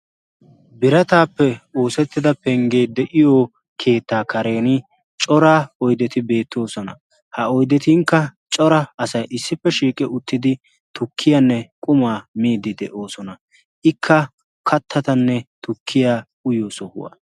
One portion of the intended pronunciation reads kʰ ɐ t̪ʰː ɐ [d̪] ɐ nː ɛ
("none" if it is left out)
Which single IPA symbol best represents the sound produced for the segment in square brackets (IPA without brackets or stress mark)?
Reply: t̪